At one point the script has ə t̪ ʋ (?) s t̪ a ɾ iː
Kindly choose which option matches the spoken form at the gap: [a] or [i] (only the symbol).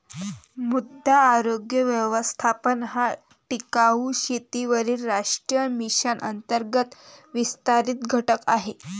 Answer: i